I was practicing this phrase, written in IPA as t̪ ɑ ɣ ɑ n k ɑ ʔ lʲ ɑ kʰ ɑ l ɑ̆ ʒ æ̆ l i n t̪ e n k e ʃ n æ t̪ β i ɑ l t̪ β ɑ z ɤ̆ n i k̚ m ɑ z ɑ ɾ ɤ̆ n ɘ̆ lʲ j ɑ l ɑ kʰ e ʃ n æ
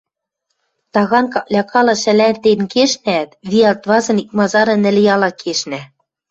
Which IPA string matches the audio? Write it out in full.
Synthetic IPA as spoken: t̪ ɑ ɣ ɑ n k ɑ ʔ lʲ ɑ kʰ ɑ l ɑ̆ ʃ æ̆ l æ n t̪ e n k e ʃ n æ t̪ β i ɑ l t̪ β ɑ z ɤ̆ n i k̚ m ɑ z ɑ ɾ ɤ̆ n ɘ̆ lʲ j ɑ l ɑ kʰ e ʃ n æ